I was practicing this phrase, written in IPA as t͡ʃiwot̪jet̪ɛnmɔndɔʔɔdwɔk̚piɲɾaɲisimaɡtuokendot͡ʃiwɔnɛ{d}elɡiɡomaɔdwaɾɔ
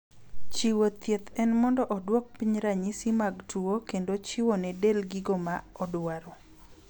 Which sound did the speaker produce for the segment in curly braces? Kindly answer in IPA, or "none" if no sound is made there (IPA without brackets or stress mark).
d